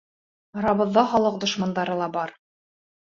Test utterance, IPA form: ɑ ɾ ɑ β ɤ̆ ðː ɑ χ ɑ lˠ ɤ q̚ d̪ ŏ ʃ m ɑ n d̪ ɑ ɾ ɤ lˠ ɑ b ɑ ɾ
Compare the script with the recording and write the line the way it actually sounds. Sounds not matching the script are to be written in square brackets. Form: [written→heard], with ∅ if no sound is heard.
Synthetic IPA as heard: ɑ ɾ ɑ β ɤ̆ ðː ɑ χ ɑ lˠ ɤ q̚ d̪ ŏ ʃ m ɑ n d̪ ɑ ɾ ɤ lˠ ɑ b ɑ ɾ

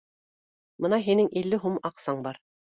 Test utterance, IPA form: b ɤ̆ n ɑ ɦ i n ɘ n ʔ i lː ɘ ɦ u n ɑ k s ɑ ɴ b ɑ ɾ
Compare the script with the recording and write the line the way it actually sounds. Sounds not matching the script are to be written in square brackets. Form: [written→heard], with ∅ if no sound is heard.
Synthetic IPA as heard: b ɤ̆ n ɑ ɦ i n ɘ [n→ŋ] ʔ i lː ɘ ɦ u [n→m] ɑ [k→q] s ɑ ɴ b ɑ ɾ

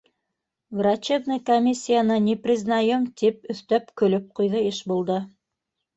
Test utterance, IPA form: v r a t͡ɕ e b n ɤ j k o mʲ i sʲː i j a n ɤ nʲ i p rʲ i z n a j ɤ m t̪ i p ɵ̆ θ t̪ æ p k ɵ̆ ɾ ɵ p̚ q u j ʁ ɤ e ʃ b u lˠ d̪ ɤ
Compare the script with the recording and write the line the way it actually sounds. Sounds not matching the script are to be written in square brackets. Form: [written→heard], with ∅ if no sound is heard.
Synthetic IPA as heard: v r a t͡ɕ e b n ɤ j k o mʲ i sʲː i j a n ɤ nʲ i p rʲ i z n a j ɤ m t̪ i p ɵ̆ θ t̪ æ p k ɵ̆ [ɾ→l] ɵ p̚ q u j [ʁ→ð] ɤ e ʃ b u lˠ d̪ ɤ

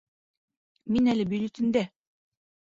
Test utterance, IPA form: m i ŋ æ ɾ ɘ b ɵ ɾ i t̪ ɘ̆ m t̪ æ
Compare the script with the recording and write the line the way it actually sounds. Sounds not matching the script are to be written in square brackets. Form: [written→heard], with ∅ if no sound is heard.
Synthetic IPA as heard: m i [ŋ→n] æ [ɾ→l] ɘ b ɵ [ɾ→l] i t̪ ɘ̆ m [t̪→d̪] æ

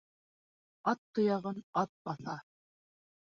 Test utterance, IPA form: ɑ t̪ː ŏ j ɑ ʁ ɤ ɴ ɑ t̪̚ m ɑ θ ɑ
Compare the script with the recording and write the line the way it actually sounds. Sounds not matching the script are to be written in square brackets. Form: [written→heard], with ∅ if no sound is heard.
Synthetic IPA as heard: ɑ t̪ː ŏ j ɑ ʁ ɤ [ɴ→n] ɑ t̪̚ [m→b] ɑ θ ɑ

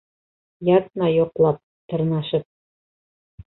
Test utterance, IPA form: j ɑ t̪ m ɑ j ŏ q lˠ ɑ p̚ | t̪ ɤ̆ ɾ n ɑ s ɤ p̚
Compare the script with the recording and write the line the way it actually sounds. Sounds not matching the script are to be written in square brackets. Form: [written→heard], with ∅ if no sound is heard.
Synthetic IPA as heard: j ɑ t̪ [m→n] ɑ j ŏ q lˠ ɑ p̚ | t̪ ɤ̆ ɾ n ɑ [s→ʃ] ɤ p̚

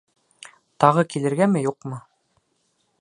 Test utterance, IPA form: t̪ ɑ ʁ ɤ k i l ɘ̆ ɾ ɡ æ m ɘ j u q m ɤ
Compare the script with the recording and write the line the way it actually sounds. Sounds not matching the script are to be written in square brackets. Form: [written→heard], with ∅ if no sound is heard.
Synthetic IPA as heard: t̪ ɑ ʁ ɤ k i l ɘ̆ ɾ ɡ æ m ɘ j u q m ɤ

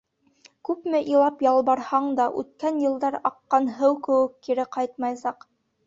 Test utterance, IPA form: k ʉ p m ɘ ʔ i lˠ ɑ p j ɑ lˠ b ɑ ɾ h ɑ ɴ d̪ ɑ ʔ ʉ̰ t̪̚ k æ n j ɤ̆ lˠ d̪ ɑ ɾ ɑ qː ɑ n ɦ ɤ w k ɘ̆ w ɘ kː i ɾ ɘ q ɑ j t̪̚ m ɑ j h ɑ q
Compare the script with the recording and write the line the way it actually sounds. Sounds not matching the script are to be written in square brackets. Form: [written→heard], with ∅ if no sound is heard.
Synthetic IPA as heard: k ʉ p m ɘ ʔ i lˠ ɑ p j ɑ lˠ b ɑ ɾ h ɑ ɴ d̪ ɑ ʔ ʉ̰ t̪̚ k æ n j ɤ̆ lˠ d̪ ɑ ɾ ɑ qː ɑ n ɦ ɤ w k ɘ̆ w ɘ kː i ɾ ɘ q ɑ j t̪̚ m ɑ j [h→s] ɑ q

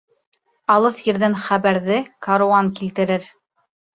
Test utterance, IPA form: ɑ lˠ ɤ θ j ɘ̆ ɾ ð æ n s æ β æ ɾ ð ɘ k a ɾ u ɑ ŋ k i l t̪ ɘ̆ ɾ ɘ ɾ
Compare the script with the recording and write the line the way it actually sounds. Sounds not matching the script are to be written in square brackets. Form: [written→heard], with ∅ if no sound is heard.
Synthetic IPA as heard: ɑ lˠ ɤ θ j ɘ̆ ɾ ð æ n [s→χ] æ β æ ɾ ð ɘ k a ɾ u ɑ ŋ k i l t̪ ɘ̆ ɾ ɘ ɾ

